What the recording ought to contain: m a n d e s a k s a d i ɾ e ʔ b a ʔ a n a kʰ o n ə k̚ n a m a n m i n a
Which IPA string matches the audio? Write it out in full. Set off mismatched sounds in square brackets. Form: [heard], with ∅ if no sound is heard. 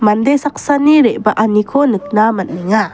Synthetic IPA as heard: m a n d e s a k s a [n] i ɾ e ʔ b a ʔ a n [i] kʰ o n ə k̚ n a m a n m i [ŋ] a